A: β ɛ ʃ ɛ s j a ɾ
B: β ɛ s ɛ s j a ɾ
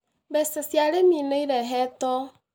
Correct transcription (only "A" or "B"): B